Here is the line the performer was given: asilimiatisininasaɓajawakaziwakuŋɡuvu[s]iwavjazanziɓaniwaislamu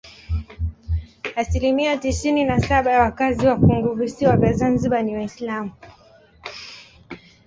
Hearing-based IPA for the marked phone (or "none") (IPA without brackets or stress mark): s